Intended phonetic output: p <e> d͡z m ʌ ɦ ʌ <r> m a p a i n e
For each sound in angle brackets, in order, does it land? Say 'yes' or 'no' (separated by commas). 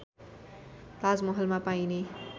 no, no